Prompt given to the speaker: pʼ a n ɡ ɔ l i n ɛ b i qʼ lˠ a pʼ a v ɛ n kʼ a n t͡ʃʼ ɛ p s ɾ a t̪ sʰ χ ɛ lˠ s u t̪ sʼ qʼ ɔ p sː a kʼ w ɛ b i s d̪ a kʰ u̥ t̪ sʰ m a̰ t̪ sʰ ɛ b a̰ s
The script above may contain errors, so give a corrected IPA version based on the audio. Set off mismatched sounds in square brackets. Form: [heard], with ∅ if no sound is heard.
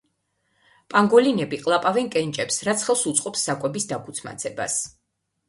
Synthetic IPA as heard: pʼ a [ŋ] ɡ ɔ l i n ɛ b i qʼ lˠ a pʼ a v ɛ n kʼ [ɛ] n t͡ʃʼ ɛ p s ɾ a t̪ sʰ χ ɛ lˠ s u t̪ sʼ qʼ ɔ p sː a kʼ w ɛ b i s d̪ a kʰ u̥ t̪ sʰ m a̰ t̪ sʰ ɛ b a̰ s

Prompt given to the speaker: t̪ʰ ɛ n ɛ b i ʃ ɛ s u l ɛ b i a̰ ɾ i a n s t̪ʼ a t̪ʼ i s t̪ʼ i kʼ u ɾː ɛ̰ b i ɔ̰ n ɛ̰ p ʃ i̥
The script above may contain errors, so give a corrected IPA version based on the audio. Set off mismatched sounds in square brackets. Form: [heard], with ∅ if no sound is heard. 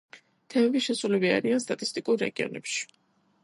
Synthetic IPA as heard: t̪ʰ ɛ [m] ɛ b i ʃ ɛ s u l ɛ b i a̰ ɾ i a n s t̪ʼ a t̪ʼ i s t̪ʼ i kʼ u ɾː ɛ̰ [ɡ] i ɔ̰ n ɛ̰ p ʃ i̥

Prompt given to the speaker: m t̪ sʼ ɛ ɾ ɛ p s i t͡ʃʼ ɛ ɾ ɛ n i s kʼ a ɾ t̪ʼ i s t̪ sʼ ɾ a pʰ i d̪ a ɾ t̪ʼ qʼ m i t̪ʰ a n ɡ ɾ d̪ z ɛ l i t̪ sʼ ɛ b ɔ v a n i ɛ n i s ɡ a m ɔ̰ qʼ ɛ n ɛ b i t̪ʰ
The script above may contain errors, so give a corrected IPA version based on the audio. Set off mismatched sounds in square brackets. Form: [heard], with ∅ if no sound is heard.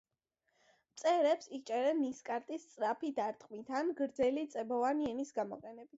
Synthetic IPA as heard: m t̪ sʼ ɛ ɾ ɛ p s i t͡ʃʼ ɛ ɾ ɛ n i s kʼ a ɾ t̪ʼ i s t̪ sʼ ɾ a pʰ i d̪ a ɾ t̪ʼ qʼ m i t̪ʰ a n ɡ ɾ d̪ z ɛ l i t̪ sʼ ɛ b ɔ v a n i ɛ n i s ɡ a m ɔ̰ qʼ ɛ n ɛ b i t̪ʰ

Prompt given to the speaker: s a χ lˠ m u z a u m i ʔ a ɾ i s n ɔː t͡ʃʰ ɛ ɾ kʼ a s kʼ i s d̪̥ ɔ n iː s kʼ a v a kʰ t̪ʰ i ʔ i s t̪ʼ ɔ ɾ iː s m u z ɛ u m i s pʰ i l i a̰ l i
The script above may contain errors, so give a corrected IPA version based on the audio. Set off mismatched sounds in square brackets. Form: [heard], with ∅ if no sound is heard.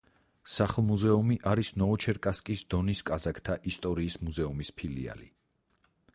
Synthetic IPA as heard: s a χ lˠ m u z [ɛ] u m i ʔ a ɾ i s n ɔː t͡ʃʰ ɛ ɾ kʼ a s kʼ i s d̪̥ ɔ n [i] s kʼ a [z] a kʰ t̪ʰ [a] ʔ i s t̪ʼ ɔ ɾ iː s m u z ɛ u m i s pʰ i l i a̰ l i

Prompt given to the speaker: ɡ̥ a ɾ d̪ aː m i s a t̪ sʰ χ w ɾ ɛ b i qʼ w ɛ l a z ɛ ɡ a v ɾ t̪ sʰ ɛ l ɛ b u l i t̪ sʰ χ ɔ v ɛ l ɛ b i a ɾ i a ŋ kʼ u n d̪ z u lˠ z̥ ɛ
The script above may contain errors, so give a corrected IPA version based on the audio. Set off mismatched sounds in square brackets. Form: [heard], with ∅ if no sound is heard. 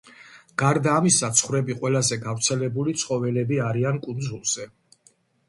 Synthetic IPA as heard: ɡ̥ a ɾ d̪ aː m i s a t̪ sʰ χ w ɾ ɛ b i qʼ w ɛ l a z ɛ ɡ a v ɾ t̪ sʰ ɛ l ɛ b u l i t̪ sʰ χ ɔ v ɛ l ɛ b i a ɾ i a [n] kʼ u n d̪ z u lˠ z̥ ɛ

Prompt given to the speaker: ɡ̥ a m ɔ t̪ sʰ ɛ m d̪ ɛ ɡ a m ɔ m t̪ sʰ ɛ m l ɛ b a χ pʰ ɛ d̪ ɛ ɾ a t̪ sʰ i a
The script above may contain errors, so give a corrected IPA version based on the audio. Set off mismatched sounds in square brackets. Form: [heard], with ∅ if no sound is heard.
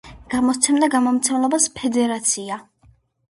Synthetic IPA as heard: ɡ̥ a m ɔ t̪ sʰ ɛ m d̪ [a] ɡ a m ɔ m t̪ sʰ ɛ m l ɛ b a [s] pʰ ɛ d̪ ɛ ɾ a t̪ sʰ i a

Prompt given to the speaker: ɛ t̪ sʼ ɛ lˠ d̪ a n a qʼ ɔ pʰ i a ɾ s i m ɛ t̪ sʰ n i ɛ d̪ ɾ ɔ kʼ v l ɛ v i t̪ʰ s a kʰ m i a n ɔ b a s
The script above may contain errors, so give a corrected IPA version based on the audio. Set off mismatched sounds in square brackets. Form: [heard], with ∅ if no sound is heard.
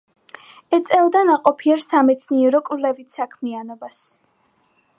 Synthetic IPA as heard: ɛ t̪ sʼ ɛ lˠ d̪ a n a qʼ ɔ pʰ i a ɾ s [a] m ɛ t̪ sʰ n i ɛ [∅] ɾ ɔ kʼ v l ɛ v i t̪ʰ s a kʰ m i a n ɔ b a s

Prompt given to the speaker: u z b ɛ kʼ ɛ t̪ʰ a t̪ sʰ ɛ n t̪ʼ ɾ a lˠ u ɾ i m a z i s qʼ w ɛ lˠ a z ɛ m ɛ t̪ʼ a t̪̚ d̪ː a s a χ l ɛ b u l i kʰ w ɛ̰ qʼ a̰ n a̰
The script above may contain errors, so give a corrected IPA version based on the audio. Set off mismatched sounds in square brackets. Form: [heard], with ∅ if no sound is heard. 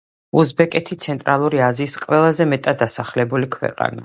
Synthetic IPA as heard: u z b ɛ kʼ ɛ t̪ʰ [i] t̪ sʰ ɛ n t̪ʼ ɾ a lˠ u ɾ i [∅] a z [iː] s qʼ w ɛ lˠ a z ɛ m ɛ t̪ʼ a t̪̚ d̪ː a s a χ l ɛ b u l i kʰ w ɛ̰ qʼ a̰ n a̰

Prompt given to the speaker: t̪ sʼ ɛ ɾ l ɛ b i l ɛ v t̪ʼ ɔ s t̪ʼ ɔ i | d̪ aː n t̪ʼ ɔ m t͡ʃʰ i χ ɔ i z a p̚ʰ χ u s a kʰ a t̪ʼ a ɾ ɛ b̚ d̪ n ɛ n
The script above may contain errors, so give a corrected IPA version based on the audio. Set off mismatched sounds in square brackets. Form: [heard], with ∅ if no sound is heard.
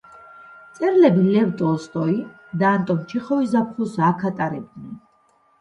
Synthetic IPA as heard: t̪ sʼ ɛ ɾ l ɛ b i l ɛ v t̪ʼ ɔ s t̪ʼ ɔ i | d̪ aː n t̪ʼ ɔ m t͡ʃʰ i χ ɔ i z a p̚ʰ χ u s a kʰ a t̪ʼ a ɾ ɛ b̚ d̪ n ɛ n

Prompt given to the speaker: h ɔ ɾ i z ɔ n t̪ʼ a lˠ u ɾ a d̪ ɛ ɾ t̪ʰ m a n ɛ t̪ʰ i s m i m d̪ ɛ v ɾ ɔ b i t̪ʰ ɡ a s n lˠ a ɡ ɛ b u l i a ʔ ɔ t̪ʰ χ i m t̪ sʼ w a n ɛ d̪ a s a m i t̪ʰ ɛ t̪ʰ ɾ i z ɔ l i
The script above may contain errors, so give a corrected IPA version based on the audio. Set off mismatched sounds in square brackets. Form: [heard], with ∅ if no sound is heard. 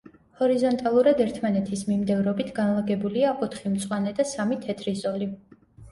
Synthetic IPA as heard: h ɔ ɾ i z ɔ n t̪ʼ a lˠ u ɾ a d̪ ɛ ɾ t̪ʰ m a n ɛ t̪ʰ i s m i m d̪ ɛ v ɾ ɔ b i t̪ʰ ɡ a [∅] n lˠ a ɡ ɛ b u l i a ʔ ɔ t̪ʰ χ i m t̪ sʼ w a n ɛ d̪ a s a m i t̪ʰ ɛ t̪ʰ ɾ i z ɔ l i

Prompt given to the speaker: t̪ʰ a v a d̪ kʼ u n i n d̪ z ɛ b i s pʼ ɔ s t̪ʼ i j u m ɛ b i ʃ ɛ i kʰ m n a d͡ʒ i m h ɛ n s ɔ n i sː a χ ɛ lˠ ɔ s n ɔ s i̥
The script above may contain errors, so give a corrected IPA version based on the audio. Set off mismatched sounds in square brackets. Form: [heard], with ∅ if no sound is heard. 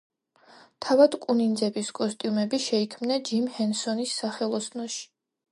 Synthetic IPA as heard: t̪ʰ a v a d̪ kʼ u n i n d̪ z ɛ b i s [kʼ] ɔ s t̪ʼ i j u m ɛ b i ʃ ɛ i kʰ m n a d͡ʒ i m h ɛ n s ɔ n i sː a χ ɛ lˠ ɔ s n ɔ [ʃ] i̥

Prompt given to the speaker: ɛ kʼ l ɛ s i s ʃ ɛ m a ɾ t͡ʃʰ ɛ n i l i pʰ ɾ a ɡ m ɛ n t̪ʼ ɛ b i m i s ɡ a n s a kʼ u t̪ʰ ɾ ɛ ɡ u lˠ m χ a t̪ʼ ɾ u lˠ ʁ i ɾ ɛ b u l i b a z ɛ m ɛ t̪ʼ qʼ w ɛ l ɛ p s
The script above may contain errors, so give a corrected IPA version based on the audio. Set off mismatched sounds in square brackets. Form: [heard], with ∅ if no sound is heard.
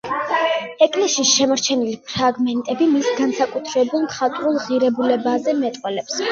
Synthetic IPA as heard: ɛ kʼ l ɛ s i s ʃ ɛ m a ɾ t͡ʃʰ ɛ n i l i pʰ ɾ a ɡ m ɛ n t̪ʼ ɛ b i m i s ɡ a n s a kʼ u t̪ʰ ɾ ɛ [b] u lˠ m χ a t̪ʼ ɾ u lˠ ʁ i ɾ ɛ b u l [ɛ] b a z ɛ m ɛ t̪ʼ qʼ w ɛ l ɛ p s

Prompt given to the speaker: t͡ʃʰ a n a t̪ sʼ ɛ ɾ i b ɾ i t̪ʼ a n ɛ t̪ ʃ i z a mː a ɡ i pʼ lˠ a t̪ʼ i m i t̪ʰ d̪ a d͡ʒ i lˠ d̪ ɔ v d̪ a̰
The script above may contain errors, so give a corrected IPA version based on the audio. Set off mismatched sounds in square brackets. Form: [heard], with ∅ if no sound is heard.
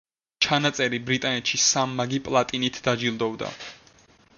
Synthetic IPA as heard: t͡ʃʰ a n a t̪ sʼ ɛ ɾ i b ɾ i t̪ʼ a n ɛ t̪ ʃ i [s] a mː a ɡ i pʼ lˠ a t̪ʼ i [n] i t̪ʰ d̪ a d͡ʒ i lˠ d̪ ɔ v d̪ a̰

